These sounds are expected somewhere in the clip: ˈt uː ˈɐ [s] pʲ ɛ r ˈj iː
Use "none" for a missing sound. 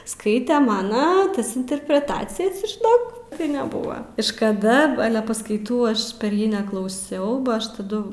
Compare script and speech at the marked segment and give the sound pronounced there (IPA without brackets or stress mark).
ʃ